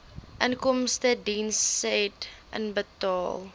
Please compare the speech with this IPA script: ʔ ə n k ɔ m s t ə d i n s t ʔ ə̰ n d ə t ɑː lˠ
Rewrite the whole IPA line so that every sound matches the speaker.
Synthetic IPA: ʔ ə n k ɔ m s t ə d i n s t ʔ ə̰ n b ə t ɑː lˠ